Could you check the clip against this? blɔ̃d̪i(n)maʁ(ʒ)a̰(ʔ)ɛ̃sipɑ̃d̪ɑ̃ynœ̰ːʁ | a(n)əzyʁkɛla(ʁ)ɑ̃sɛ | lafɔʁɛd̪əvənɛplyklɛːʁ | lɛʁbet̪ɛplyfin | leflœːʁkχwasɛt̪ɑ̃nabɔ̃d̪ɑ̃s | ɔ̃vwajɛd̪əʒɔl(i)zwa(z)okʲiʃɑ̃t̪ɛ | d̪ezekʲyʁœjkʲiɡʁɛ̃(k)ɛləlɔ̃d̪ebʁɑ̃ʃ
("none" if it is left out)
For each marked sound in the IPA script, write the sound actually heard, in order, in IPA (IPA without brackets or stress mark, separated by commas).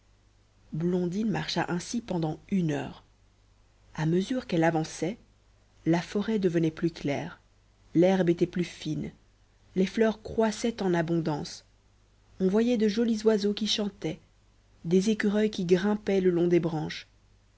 n, ʃ, ʔ, m, v, i, z, p